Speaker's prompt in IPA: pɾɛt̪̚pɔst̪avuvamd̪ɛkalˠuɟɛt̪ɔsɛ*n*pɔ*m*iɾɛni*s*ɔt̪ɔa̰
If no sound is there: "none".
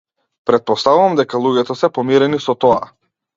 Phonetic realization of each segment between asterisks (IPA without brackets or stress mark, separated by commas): none, m, s